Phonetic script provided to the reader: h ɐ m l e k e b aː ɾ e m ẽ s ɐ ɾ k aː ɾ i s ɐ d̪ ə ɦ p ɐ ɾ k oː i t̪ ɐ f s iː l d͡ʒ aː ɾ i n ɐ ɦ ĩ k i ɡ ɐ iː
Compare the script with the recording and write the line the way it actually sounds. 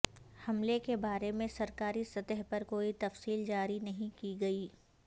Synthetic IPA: h ɐ m l e k e b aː ɾ e m ẽ s ɐ ɾ k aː ɾ i s ɐ t̪ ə ɦ p ɐ ɾ k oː i t̪ ɐ f s iː l d͡ʒ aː ɾ i n ɐ ɦ ĩ k i ɡ ɐ iː